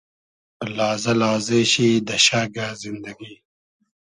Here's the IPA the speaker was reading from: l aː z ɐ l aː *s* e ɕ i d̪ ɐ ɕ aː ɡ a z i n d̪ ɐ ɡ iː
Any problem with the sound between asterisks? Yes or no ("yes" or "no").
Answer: yes